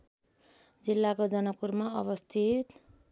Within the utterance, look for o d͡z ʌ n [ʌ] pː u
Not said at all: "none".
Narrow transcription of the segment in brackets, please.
ʌ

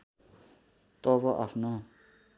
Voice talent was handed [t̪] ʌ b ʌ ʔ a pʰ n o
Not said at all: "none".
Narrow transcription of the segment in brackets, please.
t̪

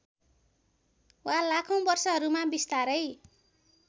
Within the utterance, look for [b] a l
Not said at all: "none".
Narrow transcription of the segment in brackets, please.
w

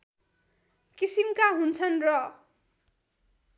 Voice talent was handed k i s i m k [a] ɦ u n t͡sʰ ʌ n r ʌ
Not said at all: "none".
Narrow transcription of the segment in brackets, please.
a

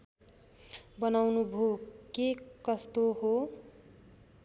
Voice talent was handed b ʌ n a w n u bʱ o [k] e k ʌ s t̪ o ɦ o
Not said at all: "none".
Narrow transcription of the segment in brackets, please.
k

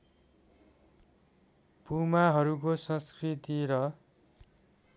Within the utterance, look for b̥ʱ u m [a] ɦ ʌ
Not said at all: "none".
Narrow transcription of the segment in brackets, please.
a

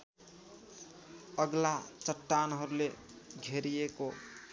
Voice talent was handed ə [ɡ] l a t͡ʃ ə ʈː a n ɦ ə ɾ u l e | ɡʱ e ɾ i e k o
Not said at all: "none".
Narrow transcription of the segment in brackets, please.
ɡ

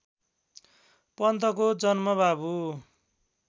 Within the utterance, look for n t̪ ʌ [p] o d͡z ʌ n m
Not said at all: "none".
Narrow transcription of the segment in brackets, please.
k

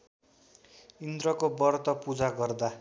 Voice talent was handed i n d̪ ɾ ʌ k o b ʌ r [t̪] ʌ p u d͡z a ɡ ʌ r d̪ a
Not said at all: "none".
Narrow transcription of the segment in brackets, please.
t̪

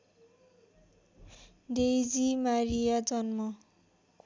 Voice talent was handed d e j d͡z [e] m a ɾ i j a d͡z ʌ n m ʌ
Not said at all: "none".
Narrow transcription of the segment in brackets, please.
i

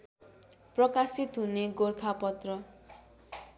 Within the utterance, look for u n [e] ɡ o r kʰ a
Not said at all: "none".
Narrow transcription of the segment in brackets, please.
e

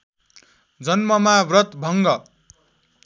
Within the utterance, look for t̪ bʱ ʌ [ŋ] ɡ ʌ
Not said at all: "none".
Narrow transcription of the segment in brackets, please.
ŋ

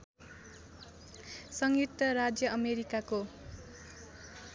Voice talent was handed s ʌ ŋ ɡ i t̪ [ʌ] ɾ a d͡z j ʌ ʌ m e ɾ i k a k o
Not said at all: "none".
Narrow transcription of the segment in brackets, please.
ʌ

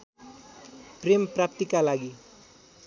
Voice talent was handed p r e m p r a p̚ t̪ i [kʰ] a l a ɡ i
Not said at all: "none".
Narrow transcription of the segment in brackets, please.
k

